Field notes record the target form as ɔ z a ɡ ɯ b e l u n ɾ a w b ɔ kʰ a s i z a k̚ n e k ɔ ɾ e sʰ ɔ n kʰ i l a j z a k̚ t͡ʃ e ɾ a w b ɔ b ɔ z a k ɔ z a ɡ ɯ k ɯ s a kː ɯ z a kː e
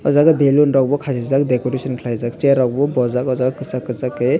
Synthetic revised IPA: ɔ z a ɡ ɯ b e l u n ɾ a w b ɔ kʰ a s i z a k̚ d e k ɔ ɾ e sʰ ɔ n kʰ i l a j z a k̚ t͡ʃ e ɾ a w b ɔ b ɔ z a k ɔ z a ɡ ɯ k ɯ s a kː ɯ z a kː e